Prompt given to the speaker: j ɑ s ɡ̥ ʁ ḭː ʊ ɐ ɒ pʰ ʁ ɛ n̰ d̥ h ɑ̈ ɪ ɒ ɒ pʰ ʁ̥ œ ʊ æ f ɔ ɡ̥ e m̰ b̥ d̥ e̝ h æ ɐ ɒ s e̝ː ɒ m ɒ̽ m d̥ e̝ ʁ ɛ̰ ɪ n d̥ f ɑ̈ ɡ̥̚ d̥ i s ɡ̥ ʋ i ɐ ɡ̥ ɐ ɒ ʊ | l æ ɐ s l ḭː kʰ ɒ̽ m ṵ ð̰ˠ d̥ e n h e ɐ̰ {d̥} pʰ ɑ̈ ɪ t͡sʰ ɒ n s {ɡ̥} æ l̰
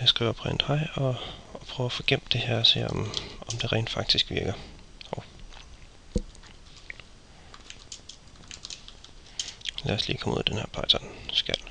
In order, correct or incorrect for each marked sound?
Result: incorrect: none, correct

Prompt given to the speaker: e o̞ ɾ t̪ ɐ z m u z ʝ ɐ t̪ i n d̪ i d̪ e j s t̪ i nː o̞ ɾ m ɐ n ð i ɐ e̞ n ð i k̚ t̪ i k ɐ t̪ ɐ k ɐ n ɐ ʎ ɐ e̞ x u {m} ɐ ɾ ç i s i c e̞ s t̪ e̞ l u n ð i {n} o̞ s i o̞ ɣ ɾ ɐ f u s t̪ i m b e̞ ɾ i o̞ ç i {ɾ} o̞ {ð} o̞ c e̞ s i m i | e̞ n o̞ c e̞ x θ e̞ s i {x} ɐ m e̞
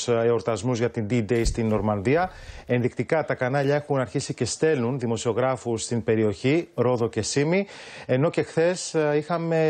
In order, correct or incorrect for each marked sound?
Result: incorrect: n, incorrect: m, correct, correct, correct

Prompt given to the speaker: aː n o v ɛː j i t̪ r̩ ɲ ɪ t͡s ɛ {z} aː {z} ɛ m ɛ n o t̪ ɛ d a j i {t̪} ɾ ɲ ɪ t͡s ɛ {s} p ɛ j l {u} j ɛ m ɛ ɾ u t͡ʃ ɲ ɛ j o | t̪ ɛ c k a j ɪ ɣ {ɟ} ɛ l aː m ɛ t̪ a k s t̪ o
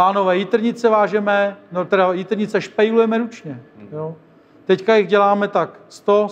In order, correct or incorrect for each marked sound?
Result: incorrect: v, incorrect: ʒ, correct, incorrect: ʃ, correct, correct

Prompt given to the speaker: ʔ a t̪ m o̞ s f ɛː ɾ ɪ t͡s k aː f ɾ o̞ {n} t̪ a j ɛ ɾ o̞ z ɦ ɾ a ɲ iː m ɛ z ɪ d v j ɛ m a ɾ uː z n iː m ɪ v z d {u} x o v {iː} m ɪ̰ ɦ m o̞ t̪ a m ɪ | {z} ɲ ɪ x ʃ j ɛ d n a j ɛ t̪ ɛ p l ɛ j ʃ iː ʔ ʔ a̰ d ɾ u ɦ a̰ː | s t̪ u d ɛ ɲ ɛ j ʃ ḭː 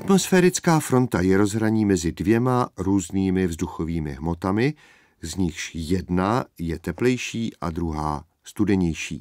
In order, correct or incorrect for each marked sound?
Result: correct, correct, correct, correct

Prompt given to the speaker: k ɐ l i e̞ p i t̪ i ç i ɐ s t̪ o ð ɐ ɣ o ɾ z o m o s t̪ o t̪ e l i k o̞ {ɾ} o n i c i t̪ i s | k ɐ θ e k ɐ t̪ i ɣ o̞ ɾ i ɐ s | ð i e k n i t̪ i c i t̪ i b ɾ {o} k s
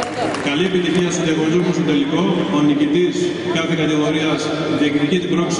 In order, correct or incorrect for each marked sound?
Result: incorrect: none, correct

